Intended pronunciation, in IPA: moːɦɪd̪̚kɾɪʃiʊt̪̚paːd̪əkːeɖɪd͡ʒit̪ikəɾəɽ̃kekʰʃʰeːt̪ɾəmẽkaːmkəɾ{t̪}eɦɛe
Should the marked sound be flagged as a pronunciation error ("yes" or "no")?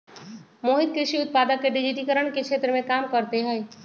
no